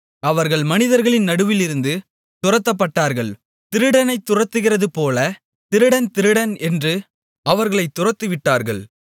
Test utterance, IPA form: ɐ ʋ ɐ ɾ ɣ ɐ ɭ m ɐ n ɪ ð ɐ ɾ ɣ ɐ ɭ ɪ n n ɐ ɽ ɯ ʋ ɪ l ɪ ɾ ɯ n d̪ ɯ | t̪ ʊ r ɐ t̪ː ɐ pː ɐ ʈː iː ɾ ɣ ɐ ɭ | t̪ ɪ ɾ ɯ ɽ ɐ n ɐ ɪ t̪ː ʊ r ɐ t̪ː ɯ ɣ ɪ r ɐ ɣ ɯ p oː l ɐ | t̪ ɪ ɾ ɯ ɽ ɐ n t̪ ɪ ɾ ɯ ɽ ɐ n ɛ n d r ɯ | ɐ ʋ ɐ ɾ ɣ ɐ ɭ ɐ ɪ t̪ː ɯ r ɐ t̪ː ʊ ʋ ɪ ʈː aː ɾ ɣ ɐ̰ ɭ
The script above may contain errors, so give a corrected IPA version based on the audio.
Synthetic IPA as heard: ɐ ʋ ɐ ɾ ɣ ɐ ɭ m ɐ n ɪ ð ɐ ɾ ɣ ɐ ɭ ɪ n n ɐ ɽ ɯ ʋ ɪ l ɪ ɾ ɯ n d̪ ɯ | t̪ ʊ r ɐ t̪ː ɐ pː ɐ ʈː aː ɾ ɣ ɐ ɭ | t̪ ɪ ɾ ɯ ɽ ɐ n ɐ ɪ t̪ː ʊ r ɐ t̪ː ɯ ɣ ɪ r ɐ ð ɯ p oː l ɐ | t̪ ɪ ɾ ɯ ɽ ɐ n t̪ ɪ ɾ ɯ ɽ ɐ n ɛ n d r ɯ | ɐ ʋ ɐ ɾ ɣ ɐ ɭ ɐ ɪ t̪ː ʊ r ɐ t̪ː ɯ ʋ ɪ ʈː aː ɾ ɣ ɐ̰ ɭ